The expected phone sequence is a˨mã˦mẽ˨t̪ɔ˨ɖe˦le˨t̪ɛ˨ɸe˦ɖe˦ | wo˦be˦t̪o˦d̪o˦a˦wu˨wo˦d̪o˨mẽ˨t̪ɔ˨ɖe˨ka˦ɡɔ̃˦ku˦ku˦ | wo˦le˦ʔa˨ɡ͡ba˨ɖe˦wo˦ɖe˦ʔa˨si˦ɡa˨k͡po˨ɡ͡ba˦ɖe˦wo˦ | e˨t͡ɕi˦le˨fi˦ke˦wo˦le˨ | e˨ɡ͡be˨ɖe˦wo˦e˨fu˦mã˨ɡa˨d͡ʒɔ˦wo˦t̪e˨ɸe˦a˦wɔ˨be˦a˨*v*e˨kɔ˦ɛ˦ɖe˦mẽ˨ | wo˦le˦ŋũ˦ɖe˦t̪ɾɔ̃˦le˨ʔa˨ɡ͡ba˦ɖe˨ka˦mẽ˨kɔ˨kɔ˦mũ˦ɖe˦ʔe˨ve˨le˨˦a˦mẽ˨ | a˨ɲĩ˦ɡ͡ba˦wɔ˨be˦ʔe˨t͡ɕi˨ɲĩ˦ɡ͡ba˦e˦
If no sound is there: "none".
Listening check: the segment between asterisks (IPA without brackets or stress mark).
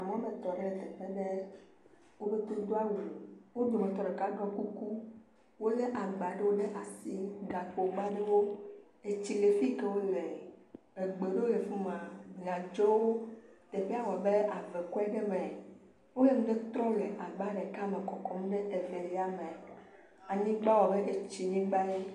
v